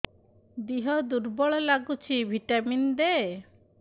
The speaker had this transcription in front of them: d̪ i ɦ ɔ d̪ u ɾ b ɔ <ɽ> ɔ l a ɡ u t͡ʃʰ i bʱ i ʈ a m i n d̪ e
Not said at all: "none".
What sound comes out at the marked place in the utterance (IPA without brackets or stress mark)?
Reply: ɭ